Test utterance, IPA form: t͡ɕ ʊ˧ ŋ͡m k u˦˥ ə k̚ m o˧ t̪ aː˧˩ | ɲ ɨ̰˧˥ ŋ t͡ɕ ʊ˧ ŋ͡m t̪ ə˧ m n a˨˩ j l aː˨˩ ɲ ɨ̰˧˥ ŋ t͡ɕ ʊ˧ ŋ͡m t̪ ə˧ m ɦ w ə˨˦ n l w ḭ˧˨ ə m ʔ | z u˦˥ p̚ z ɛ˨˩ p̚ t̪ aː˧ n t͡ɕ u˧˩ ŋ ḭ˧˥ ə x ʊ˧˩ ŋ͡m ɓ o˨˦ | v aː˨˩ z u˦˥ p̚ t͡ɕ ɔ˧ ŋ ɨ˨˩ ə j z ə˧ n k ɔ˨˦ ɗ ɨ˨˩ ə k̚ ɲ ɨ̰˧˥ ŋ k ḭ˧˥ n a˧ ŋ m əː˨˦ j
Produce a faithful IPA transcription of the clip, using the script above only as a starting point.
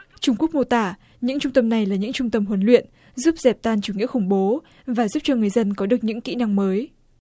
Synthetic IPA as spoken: t͡ɕ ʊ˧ ŋ͡m k u˦˥ ə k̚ m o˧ t̪ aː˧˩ | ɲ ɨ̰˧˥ ŋ t͡ɕ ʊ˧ ŋ͡m t̪ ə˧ m n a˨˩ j l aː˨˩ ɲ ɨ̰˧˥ ŋ t͡ɕ ʊ˧ ŋ͡m t̪ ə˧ m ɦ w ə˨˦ n l w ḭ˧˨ ə n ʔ | z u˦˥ p̚ z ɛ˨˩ p̚ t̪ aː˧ n t͡ɕ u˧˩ ŋ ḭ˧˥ ə x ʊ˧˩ ŋ͡m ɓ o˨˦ | v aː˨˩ z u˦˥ p̚ t͡ɕ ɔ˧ ŋ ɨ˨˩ ə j z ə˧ n k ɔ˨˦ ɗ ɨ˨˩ ə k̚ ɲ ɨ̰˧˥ ŋ k ḭ˧˥ n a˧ ŋ m əː˨˦ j